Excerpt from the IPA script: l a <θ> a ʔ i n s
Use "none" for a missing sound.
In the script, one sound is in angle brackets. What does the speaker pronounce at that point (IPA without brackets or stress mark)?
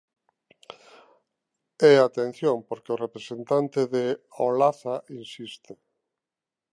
θ